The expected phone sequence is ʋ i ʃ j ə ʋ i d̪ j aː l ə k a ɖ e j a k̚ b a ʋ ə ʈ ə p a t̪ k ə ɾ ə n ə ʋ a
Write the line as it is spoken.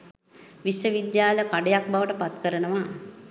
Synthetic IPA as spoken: ʋ i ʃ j ə ʋ i d̪ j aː l ə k a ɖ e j a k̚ b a ʋ ə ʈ ə p a t̪ k ə ɾ ə n ə ʋ a